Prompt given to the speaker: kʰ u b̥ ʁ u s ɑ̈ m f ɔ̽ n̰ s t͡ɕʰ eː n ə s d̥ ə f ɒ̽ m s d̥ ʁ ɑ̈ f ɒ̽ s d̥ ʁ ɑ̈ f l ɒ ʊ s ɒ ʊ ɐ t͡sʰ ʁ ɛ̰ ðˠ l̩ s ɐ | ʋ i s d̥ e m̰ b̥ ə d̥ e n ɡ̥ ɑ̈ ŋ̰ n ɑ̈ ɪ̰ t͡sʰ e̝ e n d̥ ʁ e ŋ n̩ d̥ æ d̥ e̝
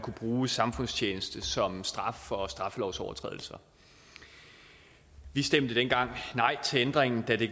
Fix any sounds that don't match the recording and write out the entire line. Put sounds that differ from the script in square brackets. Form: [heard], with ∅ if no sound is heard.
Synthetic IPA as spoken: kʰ u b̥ ʁ [uː] s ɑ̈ m f ɔ̽ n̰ s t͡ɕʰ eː n ə s d̥ ə [s] ɒ̽ m s d̥ ʁ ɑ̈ f ɒ̽ s d̥ ʁ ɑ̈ f l ɒ ʊ s ɒ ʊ ɐ t͡sʰ ʁ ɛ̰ ðˠ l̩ s ɐ | ʋ i s d̥ e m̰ [d̥] ə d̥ e n ɡ̥ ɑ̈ ŋ̰ n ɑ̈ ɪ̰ t͡sʰ e̝ e n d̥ ʁ e ŋ n̩ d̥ æ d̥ e̝